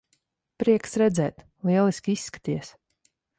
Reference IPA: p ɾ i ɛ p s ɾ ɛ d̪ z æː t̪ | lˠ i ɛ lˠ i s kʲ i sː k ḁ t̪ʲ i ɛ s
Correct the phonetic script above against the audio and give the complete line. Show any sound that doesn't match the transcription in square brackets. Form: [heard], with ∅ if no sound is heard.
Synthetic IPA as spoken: p ɾ i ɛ [k] s ɾ ɛ d̪ z [ɛː] t̪ | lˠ i ɛ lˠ i s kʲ i sː k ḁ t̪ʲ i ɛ s